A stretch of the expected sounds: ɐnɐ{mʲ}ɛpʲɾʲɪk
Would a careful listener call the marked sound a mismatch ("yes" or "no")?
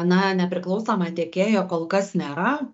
yes